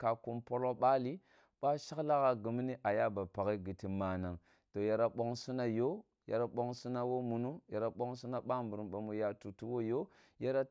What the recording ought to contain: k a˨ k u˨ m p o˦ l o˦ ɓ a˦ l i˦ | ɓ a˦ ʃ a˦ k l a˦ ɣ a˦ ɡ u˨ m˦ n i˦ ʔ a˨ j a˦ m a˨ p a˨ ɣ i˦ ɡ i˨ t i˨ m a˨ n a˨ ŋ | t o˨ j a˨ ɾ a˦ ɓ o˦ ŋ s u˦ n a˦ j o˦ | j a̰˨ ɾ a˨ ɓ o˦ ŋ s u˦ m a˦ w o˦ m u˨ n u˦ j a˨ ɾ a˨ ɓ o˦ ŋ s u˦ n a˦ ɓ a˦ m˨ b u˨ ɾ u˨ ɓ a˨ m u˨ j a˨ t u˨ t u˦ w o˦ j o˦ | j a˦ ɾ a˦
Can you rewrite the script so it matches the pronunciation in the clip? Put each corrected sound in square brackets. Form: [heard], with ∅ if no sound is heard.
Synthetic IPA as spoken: k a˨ k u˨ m p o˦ l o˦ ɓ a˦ l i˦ | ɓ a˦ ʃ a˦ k l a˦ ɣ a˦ ɡ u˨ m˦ n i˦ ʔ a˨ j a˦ [b] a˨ p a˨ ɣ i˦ ɡ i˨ t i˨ m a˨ n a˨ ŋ | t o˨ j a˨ ɾ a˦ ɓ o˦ ŋ s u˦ n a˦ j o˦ | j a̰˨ ɾ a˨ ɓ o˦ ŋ s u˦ [n] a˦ w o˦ m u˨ n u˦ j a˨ ɾ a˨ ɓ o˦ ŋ s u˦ n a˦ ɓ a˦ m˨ b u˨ ɾ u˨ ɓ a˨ m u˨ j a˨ t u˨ t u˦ w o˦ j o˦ | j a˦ ɾ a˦